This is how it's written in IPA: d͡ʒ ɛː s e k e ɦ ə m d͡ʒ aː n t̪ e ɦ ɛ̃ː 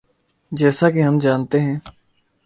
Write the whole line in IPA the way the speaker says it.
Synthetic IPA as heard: d͡ʒ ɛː s a k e ɦ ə m d͡ʒ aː n t̪ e ɦ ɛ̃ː

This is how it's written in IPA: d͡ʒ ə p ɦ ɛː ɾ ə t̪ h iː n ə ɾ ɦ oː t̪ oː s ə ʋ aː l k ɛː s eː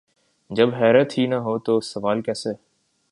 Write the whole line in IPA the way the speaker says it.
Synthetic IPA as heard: d͡ʒ ə b ɦ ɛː ɾ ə t̪ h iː n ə ɦ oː t̪ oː s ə ʋ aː l k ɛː s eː

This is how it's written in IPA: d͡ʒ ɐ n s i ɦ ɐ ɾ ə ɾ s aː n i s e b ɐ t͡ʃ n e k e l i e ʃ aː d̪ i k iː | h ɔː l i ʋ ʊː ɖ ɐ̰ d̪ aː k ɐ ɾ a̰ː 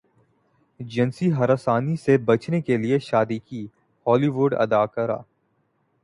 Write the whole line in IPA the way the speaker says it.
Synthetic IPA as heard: d͡ʒ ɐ n s i ɦ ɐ ɾ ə s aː n i s e b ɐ t͡ʃ n e k e l i e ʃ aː d̪ i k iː | h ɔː l i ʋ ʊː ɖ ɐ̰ d̪ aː k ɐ ɾ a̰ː

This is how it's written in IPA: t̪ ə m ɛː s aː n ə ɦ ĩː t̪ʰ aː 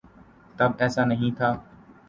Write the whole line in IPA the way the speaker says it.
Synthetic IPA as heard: t̪ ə b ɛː s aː n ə ɦ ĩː t̪ʰ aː

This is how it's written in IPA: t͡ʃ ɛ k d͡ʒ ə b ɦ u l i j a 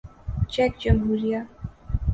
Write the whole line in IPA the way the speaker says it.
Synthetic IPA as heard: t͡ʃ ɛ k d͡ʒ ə m ɦ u ɾ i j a

